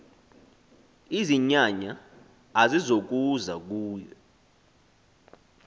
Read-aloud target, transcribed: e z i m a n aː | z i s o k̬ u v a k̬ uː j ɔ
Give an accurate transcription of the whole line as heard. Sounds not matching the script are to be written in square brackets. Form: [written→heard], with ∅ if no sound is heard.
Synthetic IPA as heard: [e→i] z i [m→ɲ] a [n→ɲ] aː | z i [s→z] o k̬ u [v→z] a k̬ uː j ɔ